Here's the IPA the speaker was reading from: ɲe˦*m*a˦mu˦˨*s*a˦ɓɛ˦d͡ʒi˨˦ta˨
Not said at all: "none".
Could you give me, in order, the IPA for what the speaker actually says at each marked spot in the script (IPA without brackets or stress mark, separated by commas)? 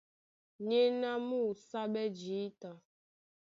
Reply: n, s